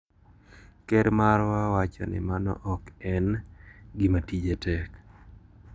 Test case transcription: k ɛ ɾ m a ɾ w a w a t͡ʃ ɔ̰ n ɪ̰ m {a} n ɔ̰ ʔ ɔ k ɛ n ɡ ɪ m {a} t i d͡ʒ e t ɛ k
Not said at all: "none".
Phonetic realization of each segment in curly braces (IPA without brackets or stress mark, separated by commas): a, a